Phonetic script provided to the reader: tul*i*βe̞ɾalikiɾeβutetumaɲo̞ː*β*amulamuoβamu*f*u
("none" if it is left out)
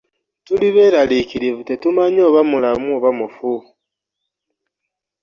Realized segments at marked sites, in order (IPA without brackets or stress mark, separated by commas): i, β, f